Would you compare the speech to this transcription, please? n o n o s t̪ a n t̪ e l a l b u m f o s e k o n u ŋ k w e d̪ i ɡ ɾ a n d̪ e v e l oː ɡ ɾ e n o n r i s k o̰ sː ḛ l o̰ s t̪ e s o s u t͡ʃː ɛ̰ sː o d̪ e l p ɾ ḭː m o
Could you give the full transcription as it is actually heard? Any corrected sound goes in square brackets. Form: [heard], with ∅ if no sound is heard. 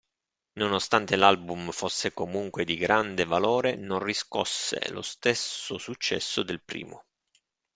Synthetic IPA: n o n o s t̪ a n t̪ e l a l b u m f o [sː] e k o [m] u ŋ k w e d̪ i ɡ ɾ a n d̪ e v [a] l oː [∅] ɾ e n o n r i s k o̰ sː ḛ l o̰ s t̪ e s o s u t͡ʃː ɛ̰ sː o d̪ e l p ɾ ḭː m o